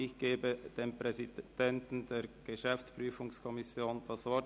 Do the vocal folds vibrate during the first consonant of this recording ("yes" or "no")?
no